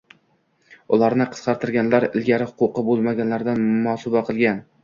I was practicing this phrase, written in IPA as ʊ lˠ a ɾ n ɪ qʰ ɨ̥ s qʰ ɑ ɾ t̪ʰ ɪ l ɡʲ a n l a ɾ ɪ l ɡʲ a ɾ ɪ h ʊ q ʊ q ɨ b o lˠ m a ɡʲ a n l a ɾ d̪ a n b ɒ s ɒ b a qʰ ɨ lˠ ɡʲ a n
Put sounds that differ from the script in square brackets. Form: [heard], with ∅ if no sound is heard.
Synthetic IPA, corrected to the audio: ʊ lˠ a ɾ n ɪ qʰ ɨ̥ s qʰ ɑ ɾ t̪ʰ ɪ [ɾ] ɡʲ a n l a ɾ ɪ l ɡʲ a ɾ ɪ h ʊ q ʊ q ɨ b o lˠ m a ɡʲ a n l a ɾ d̪ a n [m] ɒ s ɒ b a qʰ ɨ lˠ ɡʲ a n